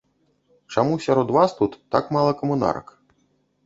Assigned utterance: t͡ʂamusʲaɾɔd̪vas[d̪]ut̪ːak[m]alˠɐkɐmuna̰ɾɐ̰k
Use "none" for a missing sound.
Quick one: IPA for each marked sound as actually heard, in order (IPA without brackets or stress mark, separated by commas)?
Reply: t̪, m